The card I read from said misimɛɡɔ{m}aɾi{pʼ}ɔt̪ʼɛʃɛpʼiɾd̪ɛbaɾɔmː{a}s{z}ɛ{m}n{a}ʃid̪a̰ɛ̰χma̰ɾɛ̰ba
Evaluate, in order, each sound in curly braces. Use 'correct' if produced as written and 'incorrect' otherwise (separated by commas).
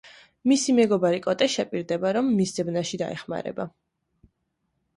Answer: incorrect, incorrect, incorrect, correct, incorrect, correct